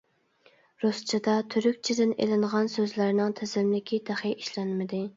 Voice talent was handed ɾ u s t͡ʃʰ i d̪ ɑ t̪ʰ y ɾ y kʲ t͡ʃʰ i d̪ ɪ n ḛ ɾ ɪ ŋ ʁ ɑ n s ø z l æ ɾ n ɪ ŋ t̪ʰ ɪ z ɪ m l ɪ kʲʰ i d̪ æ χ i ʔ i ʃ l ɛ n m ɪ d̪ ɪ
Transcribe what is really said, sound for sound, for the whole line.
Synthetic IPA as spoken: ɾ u s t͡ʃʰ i d̪ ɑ t̪ʰ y ɾ y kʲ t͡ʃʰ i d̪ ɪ n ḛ l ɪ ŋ ʁ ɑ n s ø z l æ ɾ n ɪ ŋ t̪ʰ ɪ z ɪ m l ɪ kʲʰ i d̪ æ χ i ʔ i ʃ l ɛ n m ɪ d̪ ɪ